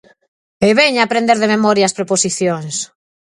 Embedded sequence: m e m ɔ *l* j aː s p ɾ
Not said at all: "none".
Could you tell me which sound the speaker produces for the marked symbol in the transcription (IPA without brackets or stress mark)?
ɾ